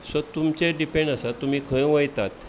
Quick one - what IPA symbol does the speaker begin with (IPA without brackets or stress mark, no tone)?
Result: s